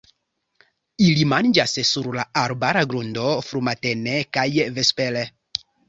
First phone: i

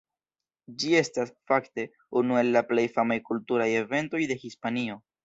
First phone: d͡ʒ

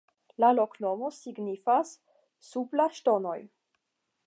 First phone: l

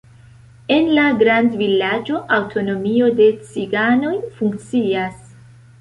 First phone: e̞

